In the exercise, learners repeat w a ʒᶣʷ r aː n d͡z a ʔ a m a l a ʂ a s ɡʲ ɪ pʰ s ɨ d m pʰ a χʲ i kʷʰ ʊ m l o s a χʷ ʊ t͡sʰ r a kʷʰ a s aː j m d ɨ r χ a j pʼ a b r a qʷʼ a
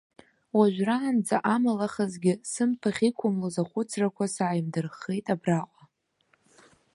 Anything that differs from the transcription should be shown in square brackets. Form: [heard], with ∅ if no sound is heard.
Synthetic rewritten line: w a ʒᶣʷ r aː n d͡z a ʔ a m a l a [χ] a [z] ɡʲ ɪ [∅] s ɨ [∅] m pʰ a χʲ i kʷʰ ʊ m l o [z] a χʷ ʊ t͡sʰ r a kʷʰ a s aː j m d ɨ r χ [e] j [tʼ] a b r a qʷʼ a